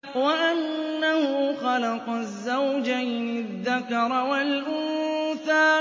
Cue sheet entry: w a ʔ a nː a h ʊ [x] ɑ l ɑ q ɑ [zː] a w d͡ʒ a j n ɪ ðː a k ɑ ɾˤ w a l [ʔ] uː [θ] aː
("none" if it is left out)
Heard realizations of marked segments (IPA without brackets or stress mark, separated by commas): x, zː, ʔ, θ